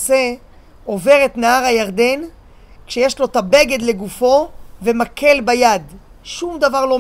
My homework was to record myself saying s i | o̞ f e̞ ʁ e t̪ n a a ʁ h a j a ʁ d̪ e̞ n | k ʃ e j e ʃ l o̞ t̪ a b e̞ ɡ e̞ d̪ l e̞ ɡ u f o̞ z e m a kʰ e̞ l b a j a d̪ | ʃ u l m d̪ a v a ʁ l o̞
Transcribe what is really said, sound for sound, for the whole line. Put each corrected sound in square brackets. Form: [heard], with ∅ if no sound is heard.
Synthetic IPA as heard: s [e] | o̞ [v] e̞ ʁ e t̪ n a a ʁ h a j a ʁ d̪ e̞ n | k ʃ e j e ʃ l o̞ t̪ a b e̞ ɡ e̞ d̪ l e̞ ɡ u f o̞ [v] e m a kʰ e̞ l b a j a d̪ | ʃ u [∅] m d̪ a v a ʁ l o̞